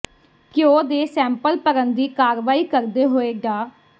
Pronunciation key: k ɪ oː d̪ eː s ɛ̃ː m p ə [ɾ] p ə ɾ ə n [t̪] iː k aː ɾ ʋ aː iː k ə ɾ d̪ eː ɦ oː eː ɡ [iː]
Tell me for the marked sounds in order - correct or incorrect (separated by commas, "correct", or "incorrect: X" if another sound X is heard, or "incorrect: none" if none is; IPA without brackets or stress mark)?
incorrect: l, incorrect: d̪, incorrect: aː